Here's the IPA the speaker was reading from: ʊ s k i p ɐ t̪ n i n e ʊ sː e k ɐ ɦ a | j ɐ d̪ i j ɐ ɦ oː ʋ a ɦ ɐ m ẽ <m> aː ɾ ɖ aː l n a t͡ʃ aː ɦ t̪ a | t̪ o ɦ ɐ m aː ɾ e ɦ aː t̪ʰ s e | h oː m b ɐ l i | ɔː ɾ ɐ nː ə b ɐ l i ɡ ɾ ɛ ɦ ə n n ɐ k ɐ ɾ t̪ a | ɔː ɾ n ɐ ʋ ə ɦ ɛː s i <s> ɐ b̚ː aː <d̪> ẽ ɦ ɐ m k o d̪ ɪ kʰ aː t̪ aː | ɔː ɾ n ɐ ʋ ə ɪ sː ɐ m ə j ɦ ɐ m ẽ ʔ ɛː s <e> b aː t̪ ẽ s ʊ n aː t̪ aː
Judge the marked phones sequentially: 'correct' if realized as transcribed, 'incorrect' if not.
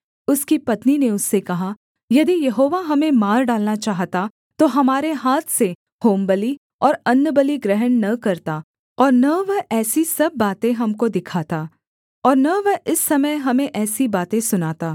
correct, correct, incorrect, incorrect

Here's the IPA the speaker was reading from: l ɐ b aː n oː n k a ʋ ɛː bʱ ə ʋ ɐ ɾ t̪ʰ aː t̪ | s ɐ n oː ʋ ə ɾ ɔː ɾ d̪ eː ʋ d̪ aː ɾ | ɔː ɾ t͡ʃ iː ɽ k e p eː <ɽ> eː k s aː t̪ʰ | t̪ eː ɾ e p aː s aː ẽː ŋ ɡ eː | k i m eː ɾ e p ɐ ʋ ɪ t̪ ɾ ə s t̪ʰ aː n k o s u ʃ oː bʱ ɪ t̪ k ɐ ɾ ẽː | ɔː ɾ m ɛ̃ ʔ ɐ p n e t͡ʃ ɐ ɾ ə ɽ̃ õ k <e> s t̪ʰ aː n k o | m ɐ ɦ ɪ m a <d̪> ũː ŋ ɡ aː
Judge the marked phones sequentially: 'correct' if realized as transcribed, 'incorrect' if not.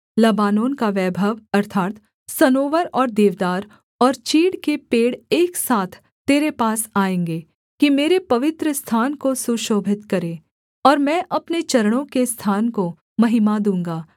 correct, correct, correct

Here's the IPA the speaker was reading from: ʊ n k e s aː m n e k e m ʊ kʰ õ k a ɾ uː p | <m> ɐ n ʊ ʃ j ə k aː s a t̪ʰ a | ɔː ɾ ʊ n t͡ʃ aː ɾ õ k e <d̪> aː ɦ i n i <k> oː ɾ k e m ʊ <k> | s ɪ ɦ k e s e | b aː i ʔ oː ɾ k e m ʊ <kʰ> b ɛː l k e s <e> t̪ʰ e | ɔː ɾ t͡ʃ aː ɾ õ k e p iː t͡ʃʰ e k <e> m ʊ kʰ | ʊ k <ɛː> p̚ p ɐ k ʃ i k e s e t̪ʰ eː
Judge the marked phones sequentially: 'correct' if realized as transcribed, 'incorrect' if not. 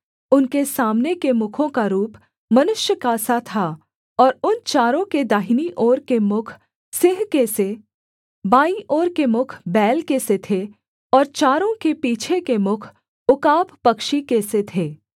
correct, correct, incorrect, incorrect, correct, correct, correct, incorrect

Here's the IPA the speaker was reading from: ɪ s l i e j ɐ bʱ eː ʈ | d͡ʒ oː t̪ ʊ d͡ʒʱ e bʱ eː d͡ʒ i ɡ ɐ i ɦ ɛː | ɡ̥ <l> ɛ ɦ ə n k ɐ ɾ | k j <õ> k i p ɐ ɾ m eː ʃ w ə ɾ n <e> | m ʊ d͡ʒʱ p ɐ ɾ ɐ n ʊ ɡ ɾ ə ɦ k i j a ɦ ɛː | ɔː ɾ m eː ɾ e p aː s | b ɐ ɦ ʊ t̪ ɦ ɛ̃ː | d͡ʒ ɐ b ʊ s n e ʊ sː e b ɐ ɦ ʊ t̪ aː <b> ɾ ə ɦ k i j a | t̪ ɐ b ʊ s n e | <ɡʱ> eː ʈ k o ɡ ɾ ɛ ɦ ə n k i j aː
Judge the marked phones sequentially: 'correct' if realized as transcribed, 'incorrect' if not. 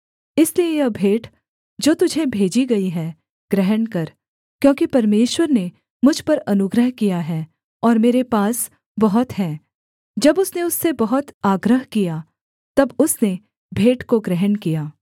incorrect, incorrect, correct, incorrect, incorrect

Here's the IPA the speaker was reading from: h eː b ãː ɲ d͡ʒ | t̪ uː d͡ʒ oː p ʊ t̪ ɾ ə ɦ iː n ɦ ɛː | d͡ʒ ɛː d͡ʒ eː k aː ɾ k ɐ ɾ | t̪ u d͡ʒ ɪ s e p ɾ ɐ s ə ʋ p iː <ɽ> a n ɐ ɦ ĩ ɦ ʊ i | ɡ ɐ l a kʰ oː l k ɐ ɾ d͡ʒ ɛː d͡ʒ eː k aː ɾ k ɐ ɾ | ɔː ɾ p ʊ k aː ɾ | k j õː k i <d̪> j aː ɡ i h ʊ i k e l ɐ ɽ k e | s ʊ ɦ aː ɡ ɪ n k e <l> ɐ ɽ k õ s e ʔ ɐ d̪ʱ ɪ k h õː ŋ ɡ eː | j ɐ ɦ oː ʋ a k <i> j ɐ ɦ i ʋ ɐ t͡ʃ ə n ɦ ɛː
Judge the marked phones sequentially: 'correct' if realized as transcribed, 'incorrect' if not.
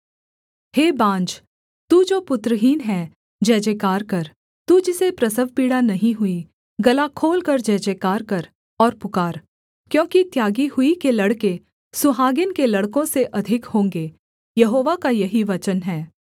correct, incorrect, correct, incorrect

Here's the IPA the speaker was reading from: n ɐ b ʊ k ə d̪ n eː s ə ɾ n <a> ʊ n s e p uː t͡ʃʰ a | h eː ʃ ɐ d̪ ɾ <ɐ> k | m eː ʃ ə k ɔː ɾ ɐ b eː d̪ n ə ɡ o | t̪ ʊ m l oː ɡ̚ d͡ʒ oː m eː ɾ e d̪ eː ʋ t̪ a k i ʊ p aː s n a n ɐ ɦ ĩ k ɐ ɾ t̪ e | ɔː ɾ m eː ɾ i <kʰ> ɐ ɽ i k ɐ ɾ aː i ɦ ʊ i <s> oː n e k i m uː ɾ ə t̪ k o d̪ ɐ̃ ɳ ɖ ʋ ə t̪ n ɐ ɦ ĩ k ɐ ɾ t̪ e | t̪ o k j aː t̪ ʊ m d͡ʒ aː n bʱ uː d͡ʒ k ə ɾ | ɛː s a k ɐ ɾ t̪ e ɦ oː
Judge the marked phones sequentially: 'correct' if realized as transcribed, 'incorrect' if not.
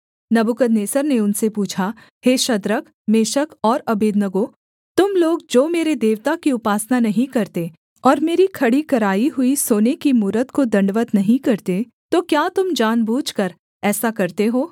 incorrect, incorrect, correct, correct

